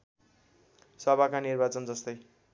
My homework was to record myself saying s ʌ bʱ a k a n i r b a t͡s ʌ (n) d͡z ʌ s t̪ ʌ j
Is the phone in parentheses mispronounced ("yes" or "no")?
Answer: no